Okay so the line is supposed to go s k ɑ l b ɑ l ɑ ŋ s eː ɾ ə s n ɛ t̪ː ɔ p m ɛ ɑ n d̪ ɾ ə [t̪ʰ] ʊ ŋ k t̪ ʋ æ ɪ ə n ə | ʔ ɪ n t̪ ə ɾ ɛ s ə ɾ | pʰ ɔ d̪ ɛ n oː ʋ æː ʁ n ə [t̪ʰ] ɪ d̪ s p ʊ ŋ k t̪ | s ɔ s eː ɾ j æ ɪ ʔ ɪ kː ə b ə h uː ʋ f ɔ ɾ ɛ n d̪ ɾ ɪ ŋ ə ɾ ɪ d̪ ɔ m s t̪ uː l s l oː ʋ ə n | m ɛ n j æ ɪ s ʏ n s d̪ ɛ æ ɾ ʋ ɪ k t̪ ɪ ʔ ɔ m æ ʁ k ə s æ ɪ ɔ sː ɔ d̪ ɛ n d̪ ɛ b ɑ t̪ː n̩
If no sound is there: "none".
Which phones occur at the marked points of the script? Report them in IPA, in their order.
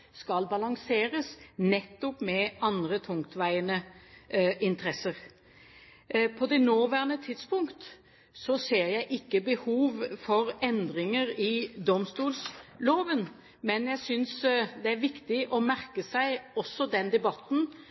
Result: t̪ʰ, t̪ʰ

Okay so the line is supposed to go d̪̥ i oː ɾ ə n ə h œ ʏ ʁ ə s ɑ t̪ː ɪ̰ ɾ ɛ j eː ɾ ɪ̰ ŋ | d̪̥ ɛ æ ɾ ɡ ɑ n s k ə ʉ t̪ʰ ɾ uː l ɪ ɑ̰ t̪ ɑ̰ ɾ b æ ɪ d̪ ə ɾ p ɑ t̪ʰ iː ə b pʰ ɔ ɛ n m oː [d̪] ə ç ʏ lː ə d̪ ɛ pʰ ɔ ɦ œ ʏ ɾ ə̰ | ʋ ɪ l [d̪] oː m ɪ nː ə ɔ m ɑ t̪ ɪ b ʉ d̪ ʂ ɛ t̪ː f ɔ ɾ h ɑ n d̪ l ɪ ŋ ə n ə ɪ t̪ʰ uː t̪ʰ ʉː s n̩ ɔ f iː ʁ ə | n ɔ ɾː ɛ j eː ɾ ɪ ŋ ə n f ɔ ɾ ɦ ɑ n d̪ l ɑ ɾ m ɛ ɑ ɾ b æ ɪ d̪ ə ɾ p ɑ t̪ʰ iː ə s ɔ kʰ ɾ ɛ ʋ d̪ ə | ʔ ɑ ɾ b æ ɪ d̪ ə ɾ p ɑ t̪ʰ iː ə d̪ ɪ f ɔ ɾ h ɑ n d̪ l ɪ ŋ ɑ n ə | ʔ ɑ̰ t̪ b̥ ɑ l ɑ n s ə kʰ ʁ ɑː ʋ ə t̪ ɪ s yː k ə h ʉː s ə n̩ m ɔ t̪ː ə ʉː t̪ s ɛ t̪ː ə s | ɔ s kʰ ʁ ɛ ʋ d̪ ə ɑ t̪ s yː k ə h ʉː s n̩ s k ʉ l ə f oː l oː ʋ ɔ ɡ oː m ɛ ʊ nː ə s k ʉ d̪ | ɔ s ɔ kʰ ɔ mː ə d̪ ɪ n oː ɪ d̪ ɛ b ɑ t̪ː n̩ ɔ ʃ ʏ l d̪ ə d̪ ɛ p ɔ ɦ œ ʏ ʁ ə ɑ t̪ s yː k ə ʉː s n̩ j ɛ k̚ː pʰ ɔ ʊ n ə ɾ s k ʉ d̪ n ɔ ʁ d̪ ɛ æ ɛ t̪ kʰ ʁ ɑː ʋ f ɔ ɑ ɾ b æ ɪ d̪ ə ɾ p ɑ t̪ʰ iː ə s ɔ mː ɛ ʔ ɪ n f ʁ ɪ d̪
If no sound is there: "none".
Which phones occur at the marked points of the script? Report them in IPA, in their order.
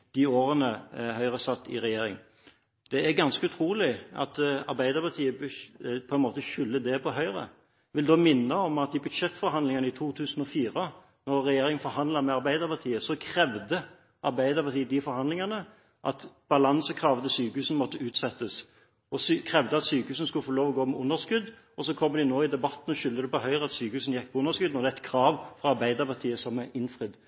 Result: t̪, d̪

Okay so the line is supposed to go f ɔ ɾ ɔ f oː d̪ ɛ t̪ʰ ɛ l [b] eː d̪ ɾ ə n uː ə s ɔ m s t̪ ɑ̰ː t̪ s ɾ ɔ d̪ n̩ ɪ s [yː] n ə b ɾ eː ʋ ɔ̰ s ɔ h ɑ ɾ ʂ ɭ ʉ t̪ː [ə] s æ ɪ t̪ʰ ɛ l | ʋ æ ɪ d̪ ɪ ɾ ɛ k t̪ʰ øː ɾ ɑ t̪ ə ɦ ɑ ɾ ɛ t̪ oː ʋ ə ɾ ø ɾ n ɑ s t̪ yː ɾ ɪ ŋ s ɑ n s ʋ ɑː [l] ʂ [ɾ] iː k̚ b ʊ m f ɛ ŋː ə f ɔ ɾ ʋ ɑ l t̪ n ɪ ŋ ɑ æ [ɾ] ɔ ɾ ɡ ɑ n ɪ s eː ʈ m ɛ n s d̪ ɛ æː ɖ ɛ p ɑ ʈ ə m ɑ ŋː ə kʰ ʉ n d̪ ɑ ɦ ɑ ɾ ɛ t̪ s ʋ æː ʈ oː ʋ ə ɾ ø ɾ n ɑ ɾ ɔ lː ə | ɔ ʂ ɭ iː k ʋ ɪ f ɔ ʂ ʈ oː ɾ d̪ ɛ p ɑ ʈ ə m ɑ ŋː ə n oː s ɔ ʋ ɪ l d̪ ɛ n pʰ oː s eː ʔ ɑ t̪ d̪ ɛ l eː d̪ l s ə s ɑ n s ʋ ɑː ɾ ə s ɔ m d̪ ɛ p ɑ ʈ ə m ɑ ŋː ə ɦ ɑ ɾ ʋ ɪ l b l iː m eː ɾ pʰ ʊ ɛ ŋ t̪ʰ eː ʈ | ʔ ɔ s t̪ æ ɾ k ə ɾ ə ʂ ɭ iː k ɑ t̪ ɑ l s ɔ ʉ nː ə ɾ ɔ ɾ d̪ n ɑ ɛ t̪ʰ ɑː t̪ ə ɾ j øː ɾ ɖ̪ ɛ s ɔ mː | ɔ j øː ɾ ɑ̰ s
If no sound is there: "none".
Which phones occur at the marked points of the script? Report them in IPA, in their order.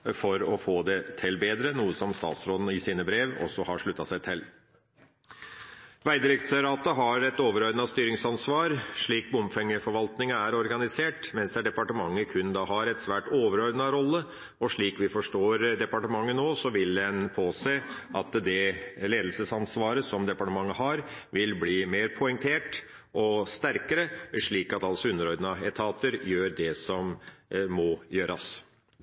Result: b, iː, ɑ, ɾ, ɭ, ɾ

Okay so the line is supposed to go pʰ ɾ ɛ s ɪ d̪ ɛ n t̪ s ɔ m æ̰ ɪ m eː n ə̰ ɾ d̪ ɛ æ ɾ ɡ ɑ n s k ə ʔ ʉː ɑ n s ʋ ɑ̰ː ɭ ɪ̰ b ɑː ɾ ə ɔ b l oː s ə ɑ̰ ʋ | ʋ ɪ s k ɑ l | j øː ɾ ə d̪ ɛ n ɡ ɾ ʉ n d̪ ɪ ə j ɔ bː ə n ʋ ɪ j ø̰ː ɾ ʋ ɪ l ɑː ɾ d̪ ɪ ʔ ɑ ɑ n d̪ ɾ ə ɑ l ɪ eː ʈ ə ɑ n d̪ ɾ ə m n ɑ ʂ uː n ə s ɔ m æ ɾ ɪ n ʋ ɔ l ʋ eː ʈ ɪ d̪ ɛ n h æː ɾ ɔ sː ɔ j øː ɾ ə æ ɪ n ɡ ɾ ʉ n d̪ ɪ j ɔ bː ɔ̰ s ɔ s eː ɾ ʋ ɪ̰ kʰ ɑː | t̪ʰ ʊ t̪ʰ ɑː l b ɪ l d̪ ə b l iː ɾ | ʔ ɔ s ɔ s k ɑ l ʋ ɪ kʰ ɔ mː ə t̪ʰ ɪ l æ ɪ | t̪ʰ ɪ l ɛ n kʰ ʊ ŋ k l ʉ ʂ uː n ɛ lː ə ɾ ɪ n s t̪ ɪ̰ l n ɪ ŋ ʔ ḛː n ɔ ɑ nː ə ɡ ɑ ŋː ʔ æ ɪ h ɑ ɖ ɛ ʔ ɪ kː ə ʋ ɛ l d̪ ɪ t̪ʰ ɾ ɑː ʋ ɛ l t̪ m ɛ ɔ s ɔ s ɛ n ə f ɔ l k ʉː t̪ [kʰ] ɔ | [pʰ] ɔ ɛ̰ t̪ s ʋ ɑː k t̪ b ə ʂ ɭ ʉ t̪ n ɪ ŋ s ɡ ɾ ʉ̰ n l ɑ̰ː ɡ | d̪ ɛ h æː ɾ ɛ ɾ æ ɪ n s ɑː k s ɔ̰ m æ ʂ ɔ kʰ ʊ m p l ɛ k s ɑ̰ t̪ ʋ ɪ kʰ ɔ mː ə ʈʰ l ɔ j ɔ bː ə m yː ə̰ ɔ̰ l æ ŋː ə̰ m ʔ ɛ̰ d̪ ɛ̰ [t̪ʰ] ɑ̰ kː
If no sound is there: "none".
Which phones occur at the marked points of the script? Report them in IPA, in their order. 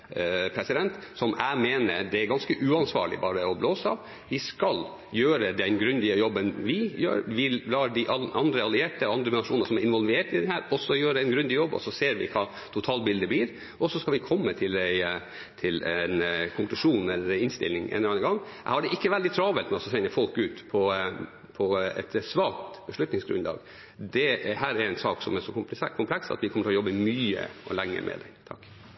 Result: pʰ, pʰ, t̪ʰ

